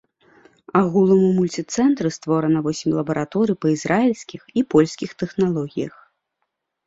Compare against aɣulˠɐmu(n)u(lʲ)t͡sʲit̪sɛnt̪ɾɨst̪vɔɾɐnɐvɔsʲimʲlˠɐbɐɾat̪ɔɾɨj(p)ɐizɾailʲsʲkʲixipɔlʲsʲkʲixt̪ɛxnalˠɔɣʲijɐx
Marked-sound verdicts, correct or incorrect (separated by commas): incorrect, correct, correct